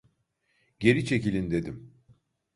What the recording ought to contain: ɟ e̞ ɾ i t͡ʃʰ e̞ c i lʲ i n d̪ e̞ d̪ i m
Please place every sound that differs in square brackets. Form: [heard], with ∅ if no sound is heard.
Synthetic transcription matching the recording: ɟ e̞ ɾ i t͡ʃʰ e̞ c i lʲ i n d̪ e̞ d̪ i m